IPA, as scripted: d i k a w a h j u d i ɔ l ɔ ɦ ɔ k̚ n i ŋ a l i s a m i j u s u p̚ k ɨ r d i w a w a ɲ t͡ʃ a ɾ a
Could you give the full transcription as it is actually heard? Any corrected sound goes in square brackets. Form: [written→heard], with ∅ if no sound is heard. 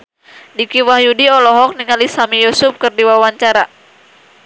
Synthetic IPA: d i k [a→i] w a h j u d i ɔ l ɔ ɦ ɔ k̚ n i ŋ a l i s a m i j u s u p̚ k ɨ r d i w a w a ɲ t͡ʃ a ɾ a